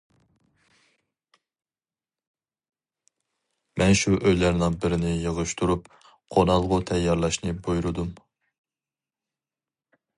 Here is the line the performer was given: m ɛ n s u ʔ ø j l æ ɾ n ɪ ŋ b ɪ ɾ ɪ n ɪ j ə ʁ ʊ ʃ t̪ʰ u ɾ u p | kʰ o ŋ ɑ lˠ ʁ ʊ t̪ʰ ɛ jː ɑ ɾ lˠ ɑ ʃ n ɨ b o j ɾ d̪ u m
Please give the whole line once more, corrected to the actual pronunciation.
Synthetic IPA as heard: m ɛ n ʃ u ʔ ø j l æ ɾ n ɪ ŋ b ɪ ɾ ɪ n ɪ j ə ʁ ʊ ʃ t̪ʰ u ɾ u p | qʰ o n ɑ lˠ ʁ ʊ t̪ʰ ɛ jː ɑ ɾ lˠ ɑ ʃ n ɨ b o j ɾ d̪ u m